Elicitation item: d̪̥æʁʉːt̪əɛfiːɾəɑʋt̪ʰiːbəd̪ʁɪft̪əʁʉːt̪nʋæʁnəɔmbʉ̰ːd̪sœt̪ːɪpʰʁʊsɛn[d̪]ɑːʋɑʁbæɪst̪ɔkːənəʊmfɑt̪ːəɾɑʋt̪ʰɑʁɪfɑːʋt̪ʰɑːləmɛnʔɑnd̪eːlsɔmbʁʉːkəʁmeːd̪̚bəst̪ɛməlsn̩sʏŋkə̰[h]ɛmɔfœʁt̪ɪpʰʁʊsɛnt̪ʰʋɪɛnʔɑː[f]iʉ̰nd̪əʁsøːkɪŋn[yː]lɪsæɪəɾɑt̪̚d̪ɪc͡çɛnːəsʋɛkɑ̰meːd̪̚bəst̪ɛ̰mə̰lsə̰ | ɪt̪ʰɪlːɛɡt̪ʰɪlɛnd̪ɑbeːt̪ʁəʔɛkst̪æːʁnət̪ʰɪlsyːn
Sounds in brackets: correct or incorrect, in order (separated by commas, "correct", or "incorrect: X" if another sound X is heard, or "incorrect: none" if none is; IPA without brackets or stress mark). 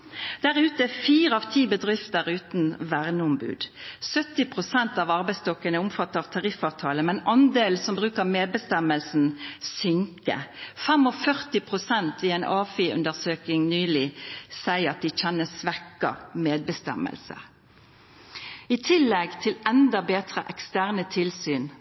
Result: incorrect: t̪, incorrect: f, correct, correct